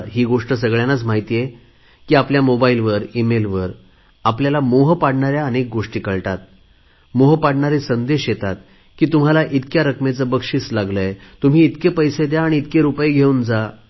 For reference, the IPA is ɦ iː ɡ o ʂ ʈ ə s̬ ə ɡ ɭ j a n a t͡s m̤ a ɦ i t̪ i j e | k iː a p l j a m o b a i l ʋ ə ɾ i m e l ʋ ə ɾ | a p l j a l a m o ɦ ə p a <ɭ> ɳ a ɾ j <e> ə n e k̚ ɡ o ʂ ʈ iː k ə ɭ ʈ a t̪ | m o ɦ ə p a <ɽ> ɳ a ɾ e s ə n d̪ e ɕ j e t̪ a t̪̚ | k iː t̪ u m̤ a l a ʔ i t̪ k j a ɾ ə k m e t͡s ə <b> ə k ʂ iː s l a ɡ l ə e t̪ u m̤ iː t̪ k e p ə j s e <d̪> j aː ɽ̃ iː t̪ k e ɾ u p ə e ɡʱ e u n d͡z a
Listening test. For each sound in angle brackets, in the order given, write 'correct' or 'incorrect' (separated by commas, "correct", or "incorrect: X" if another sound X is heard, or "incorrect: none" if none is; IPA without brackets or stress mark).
incorrect: ɽ, incorrect: a, correct, correct, correct